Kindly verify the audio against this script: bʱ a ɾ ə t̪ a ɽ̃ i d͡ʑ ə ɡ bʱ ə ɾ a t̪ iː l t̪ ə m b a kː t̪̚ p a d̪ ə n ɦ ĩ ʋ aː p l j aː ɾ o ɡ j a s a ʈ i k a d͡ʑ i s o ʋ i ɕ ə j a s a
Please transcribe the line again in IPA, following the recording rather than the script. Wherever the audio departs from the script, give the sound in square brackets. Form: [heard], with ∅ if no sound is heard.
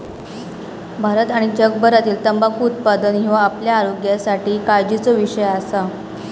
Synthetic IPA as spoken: bʱ a ɾ ə t̪ a ɽ̃ i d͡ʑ ə ɡ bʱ ə ɾ a t̪ iː l t̪ ə m b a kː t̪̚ p a d̪ ə n ɦ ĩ ʋ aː p l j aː ɾ o ɡ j a s a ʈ [iː] k a d͡ʑ i [t͡s] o ʋ i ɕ ə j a s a